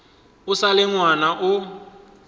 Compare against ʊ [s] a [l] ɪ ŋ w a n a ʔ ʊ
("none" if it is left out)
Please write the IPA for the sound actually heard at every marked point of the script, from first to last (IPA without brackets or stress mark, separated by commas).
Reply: s, l